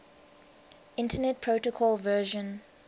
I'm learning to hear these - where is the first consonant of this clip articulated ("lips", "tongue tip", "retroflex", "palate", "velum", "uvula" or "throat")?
tongue tip